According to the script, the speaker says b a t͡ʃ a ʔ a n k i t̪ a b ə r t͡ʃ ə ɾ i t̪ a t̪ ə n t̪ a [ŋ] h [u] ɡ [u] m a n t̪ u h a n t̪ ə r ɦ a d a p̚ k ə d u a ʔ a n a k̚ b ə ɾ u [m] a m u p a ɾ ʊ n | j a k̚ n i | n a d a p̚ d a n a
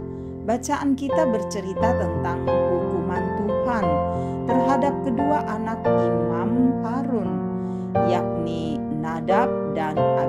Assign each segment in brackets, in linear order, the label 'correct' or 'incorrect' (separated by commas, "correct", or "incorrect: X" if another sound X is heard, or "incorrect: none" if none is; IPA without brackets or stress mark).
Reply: correct, correct, correct, correct